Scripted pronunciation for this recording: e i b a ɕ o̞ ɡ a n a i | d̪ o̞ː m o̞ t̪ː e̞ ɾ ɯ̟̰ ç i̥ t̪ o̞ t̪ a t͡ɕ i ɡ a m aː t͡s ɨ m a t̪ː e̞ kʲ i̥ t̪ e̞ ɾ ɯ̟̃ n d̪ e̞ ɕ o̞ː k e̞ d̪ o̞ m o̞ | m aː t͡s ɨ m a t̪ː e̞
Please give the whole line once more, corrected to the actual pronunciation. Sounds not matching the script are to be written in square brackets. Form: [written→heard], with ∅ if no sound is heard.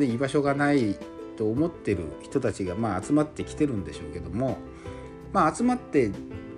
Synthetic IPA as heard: e i b a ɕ o̞ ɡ a n a i | [d̪→t̪] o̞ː m o̞ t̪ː e̞ ɾ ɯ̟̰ ç i̥ t̪ o̞ t̪ a t͡ɕ i ɡ a m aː t͡s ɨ m a t̪ː e̞ kʲ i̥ t̪ e̞ ɾ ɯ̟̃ n d̪ e̞ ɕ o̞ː k e̞ d̪ o̞ m o̞ | m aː t͡s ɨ m a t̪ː e̞